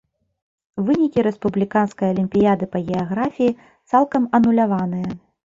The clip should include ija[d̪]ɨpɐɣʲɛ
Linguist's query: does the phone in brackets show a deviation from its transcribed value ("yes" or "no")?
no